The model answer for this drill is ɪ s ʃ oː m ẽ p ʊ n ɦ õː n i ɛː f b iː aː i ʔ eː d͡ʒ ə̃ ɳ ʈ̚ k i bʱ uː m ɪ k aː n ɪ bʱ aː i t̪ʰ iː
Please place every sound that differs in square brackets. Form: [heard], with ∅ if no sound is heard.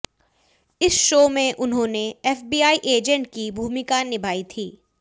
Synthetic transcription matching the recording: ɪ s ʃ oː m ẽ [ʔ] ʊ n ɦ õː n [e] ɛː f b iː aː i ʔ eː d͡ʒ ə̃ ɳ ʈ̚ k i bʱ uː m ɪ k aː n ɪ bʱ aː i t̪ʰ iː